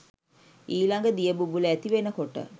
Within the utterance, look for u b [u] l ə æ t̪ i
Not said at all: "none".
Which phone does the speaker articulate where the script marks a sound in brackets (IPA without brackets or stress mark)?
u